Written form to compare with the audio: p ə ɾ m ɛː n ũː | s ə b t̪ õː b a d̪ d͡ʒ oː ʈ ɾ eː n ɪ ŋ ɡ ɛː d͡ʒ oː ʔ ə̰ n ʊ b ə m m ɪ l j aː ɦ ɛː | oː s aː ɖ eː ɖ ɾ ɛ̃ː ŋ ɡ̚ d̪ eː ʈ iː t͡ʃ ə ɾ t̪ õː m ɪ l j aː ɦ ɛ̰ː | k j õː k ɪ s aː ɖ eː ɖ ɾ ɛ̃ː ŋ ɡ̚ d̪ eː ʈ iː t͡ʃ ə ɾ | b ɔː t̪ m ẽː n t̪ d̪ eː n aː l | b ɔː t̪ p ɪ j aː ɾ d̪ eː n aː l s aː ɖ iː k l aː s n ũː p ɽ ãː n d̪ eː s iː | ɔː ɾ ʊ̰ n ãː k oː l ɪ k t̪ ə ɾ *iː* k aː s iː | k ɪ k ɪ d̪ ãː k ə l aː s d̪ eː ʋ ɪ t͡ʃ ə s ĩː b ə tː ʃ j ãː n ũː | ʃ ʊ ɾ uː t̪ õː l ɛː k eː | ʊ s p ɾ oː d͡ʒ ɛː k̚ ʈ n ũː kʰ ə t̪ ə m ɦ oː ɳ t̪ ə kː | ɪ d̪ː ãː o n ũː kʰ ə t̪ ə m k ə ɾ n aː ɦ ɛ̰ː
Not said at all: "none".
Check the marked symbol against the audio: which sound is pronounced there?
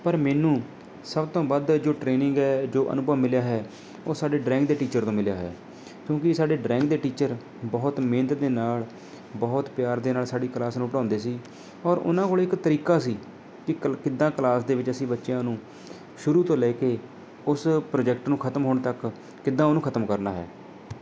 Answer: iː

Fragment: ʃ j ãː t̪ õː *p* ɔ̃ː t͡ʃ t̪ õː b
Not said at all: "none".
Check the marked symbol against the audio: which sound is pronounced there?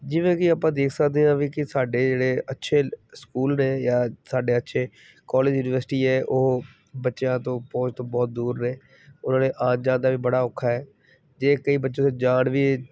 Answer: p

